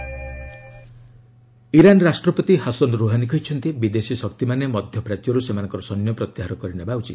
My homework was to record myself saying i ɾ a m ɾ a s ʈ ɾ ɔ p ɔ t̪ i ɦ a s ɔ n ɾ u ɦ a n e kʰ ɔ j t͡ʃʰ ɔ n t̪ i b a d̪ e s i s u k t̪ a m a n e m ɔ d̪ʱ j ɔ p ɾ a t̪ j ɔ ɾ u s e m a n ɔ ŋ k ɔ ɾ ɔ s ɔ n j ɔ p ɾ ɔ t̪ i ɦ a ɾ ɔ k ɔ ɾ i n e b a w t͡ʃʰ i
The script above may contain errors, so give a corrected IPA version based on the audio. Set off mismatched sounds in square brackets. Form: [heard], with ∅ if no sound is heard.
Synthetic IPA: i ɾ a [n] ɾ a s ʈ ɾ ɔ p ɔ t̪ i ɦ a s ɔ n ɾ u ɦ a n [i] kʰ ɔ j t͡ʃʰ ɔ n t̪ i b [i] d̪ e s i s [ɔ] k t̪ [i] m a n e m ɔ d̪ʱ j ɔ p ɾ a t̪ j ɔ ɾ u s e m a n ɔ ŋ k ɔ ɾ ɔ s ɔ n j ɔ p ɾ ɔ t̪ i ɦ a ɾ ɔ k ɔ ɾ i n e b a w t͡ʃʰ i

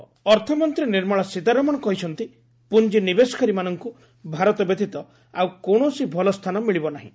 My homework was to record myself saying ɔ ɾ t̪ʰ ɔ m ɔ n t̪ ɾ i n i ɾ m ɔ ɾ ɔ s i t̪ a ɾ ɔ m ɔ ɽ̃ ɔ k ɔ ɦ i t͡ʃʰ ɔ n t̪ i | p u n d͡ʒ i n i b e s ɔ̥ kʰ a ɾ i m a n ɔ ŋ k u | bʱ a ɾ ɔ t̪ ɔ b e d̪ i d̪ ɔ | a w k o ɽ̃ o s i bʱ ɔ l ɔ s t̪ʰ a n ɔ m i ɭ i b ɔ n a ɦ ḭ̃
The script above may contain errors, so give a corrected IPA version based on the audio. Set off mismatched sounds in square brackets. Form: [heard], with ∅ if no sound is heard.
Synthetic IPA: ɔ ɾ t̪ʰ ɔ m ɔ n t̪ ɾ i n i ɾ m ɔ [ɭ] ɔ s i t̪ a ɾ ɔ m ɔ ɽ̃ ɔ k ɔ ɦ i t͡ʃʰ ɔ n t̪ i | p u n d͡ʒ i n i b e s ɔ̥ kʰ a ɾ i m a n ɔ ŋ k u | bʱ a ɾ ɔ t̪ ɔ b e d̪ i [t̪] ɔ | a w k o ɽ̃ o s i bʱ ɔ l ɔ s t̪ʰ a n ɔ m i ɭ i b ɔ n a ɦ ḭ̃

